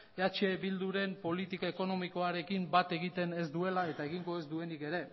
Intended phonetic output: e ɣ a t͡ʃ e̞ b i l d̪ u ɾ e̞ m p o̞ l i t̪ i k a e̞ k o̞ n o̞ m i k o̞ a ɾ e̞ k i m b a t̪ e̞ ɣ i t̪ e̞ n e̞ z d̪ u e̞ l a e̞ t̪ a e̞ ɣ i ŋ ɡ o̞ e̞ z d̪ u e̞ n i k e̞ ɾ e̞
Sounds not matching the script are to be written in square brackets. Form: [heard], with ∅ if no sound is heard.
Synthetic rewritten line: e [∅] a t͡ʃ e̞ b i l d̪ u ɾ e̞ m p o̞ l i t̪ i k a e̞ k o̞ n o̞ m i k o̞ a ɾ e̞ k i m b a t̪ e̞ ɣ i t̪ e̞ n e̞ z d̪ u e̞ l a e̞ t̪ a e̞ ɣ i ŋ ɡ o̞ e̞ z d̪ u e̞ n i k e̞ ɾ e̞